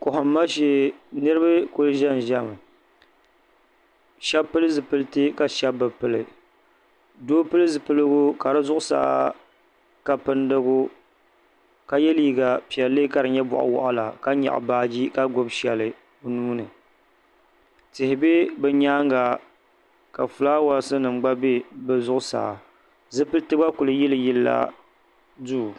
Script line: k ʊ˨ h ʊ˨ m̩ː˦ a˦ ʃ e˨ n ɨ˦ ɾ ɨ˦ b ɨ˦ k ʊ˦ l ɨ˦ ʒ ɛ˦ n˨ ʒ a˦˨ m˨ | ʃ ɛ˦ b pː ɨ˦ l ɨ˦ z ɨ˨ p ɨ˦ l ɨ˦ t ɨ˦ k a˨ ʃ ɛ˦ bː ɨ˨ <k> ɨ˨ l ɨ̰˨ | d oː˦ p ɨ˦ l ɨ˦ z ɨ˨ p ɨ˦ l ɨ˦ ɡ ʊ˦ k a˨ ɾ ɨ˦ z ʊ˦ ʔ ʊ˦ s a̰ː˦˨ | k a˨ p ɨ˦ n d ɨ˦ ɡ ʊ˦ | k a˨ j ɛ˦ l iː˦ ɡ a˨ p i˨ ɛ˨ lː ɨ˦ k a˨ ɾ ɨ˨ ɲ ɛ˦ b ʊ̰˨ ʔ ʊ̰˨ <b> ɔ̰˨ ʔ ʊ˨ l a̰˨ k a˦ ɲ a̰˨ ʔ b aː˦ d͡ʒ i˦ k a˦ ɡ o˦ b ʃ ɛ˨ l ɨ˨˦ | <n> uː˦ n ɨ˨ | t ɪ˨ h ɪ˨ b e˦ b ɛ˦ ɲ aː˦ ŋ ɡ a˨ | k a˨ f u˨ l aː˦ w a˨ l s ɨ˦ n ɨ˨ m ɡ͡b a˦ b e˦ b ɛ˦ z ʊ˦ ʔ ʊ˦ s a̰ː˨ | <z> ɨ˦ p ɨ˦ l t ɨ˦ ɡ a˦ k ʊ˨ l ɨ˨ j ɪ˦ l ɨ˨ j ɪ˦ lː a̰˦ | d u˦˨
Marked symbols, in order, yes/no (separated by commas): no, no, yes, yes